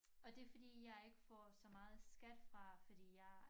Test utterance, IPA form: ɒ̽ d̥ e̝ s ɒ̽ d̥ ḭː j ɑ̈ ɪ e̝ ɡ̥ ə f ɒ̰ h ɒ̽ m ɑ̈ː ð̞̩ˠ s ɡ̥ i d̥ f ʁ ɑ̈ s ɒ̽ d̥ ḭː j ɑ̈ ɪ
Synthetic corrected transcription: ɒ̽ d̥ e̝ f ɒ̽ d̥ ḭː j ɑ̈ ɪ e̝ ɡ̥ ə f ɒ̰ s ɒ̽ m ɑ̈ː ð̞̩ˠ s ɡ̥ æ d̥ f ʁ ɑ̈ f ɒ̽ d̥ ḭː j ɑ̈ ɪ

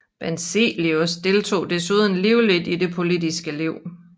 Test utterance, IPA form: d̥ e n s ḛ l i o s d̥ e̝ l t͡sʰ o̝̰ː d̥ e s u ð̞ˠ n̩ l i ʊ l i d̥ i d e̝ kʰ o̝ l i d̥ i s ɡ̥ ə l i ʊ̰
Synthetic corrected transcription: b̥ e n s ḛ l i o s d̥ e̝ l t͡sʰ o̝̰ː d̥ e s u ð̞ˠ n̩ l i ʊ l i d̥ i d e̝ pʰ o̝ l i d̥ i s ɡ̥ ə l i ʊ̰

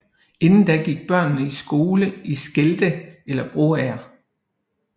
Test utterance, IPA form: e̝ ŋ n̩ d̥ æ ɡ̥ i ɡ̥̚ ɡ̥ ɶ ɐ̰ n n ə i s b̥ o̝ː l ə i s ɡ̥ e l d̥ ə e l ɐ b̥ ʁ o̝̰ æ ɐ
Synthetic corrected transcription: e̝ n n̩ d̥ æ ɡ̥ i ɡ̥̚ b̥ ɶ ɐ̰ n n ə i s ɡ̥ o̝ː l ə i s ɡ̥ e l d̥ ə e l ɐ b̥ ʁ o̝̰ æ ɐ

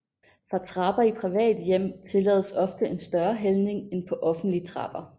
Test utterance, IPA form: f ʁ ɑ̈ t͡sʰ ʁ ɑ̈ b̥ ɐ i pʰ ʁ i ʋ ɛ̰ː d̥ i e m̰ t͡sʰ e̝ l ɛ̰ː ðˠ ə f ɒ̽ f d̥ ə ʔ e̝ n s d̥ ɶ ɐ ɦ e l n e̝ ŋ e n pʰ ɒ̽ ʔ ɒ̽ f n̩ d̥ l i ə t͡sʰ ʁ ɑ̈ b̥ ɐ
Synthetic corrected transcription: f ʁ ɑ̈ t͡sʰ ʁ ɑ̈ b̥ ɐ i pʰ ʁ i ʋ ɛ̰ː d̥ j e m̰ t͡sʰ e̝ l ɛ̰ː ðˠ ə s ɒ̽ f d̥ ə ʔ e̝ n s d̥ ɶ ɐ ɦ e l n e̝ ŋ e n pʰ ɒ̽ ʔ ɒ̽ f n̩ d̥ l i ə t͡sʰ ʁ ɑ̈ b̥ ɐ

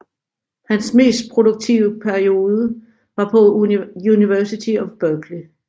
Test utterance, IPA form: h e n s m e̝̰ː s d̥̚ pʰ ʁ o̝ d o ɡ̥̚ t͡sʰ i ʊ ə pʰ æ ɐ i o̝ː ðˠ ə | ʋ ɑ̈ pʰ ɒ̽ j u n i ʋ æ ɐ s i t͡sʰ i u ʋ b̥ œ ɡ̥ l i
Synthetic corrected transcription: h æ n s m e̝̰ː s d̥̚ pʰ ʁ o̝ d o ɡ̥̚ t͡sʰ i ʊ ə pʰ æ ɐ i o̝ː ðˠ ə | ʋ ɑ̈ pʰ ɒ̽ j u n i ʋ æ ɐ s i t͡sʰ i ɒ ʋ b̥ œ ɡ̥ l i

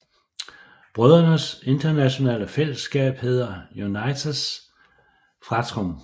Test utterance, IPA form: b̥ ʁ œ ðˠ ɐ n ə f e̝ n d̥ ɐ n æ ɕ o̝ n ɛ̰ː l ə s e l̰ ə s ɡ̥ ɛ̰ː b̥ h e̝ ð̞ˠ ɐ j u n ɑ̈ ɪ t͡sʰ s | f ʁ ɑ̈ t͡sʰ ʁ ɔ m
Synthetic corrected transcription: b̥ ʁ œ ðˠ ɐ n ə s e̝ n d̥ ɐ n æ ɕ o̝ n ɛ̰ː l ə f e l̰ ə s ɡ̥ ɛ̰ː b̥ h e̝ ð̞ˠ ɐ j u n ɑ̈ ɪ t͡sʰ s | f ʁ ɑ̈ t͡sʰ ʁ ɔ m

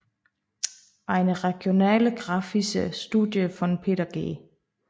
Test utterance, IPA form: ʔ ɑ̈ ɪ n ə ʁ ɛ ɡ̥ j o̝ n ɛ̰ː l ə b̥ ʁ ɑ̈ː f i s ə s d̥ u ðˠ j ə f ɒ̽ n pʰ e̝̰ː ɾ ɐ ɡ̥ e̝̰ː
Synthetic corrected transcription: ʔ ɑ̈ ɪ n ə ʁ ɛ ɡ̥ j o̝ n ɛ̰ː l ə ɡ̥ ʁ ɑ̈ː f i s ə s d̥ u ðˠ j ə f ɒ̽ n pʰ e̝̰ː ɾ ɐ ɡ̥ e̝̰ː

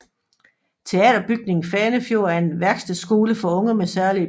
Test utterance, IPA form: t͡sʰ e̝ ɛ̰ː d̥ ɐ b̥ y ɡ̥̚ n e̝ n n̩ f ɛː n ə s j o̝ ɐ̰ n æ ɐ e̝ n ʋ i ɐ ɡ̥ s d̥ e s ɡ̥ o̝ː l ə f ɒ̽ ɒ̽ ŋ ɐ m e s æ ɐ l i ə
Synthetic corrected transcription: t͡sʰ e̝ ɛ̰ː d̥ ɐ b̥ y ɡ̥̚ n e̝ ŋ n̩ f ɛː n ə f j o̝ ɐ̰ æ ɐ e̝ n ʋ æ ɐ ɡ̥ s d̥ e s ɡ̥ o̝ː l ə f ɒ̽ ɔ̽ ŋ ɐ m e s æ ɐ l i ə

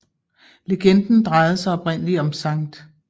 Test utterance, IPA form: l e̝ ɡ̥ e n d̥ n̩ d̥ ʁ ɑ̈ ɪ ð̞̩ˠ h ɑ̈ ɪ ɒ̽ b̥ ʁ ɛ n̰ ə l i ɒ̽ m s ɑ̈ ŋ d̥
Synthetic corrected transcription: l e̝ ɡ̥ e n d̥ n̩ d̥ ʁ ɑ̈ ɪ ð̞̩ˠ s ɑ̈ ɪ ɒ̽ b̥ ʁ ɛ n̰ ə l i ɒ̽ m s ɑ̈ ŋ d̥

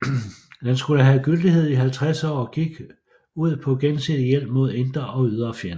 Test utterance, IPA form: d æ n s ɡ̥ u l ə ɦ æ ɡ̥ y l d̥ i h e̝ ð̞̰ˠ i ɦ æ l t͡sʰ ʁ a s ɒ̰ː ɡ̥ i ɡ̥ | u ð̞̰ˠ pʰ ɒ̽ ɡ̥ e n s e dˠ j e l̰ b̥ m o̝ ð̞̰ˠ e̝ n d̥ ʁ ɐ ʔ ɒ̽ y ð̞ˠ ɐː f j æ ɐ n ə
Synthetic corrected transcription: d æ n s ɡ̥ u l ə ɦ æ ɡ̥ y l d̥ i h e̝ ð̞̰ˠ i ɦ æ l t͡sʰ ʁ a s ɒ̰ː ɡ̥ i ɡ̥ | u ð̞̰ˠ pʰ ɒ̽ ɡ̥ e n s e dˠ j e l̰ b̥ m o̝ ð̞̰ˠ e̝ n d̥ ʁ ɐ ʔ ɒ̽ y ð̞ˠ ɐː f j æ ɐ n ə

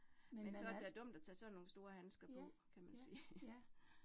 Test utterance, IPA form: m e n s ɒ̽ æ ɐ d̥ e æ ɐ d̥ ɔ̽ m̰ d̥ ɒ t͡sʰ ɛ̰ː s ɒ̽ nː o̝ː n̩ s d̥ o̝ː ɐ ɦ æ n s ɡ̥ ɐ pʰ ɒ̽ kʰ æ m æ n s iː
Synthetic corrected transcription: m e n s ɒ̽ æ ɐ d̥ e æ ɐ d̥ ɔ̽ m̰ d̥ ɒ t͡sʰ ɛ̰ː s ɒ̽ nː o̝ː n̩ s d̥ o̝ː ɐ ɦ æ n s ɡ̥ ɐ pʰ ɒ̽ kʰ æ m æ n s iː

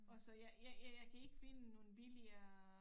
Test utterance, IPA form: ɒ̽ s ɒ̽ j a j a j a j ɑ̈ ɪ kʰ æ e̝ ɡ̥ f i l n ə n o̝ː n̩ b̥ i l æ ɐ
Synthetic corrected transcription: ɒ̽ s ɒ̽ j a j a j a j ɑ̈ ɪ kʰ æ e̝ ɡ̥ f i n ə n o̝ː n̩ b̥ i l i ɐ

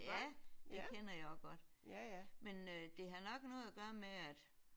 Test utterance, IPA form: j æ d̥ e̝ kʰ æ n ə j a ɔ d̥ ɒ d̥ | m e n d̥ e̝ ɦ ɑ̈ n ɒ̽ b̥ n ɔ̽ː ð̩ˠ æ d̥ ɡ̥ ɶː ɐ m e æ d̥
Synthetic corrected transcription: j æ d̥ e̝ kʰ e n ɐ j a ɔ ɡ̥ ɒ d̥ | m e n d̥ e̝ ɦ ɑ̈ n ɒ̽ ɡ̥ n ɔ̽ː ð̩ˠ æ ɡ̥ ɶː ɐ m e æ d̥

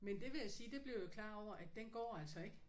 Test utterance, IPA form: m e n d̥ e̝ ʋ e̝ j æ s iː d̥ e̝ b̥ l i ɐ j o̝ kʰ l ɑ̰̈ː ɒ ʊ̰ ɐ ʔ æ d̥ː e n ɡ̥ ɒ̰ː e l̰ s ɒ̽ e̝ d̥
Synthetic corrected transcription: m e n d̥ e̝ ʋ e̝ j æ s iː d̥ e̝ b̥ l i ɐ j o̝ kʰ l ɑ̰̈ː ɒ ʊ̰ ɐ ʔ æ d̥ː e n ɡ̥ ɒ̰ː æ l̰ s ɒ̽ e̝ ɡ̥

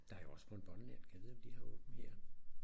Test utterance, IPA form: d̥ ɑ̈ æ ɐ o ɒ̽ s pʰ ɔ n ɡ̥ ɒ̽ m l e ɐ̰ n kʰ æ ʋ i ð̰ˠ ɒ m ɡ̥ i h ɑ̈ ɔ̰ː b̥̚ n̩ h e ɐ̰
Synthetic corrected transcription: d̥ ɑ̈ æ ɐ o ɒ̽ s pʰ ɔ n b̥ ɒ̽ n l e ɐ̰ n kʰ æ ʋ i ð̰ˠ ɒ m d̥ i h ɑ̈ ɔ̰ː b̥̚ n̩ h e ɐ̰

